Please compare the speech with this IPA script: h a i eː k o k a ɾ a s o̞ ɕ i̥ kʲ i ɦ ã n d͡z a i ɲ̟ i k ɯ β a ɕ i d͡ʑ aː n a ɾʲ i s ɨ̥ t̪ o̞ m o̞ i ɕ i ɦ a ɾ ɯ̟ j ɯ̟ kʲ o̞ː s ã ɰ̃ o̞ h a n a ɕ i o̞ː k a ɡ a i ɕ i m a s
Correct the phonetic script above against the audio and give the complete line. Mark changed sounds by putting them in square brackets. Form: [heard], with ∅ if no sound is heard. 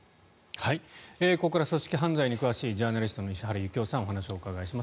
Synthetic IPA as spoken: h a i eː k o k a ɾ a s o̞ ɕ i̥ kʲ i ɦ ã n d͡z a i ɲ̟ i k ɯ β a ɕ [iː] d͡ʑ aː n a ɾʲ i s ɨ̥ t̪ o̞ [n] o̞ i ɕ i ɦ a ɾ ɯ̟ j ɯ̟ kʲ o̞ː s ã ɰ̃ o̞ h a n a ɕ i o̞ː k a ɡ a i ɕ i m a s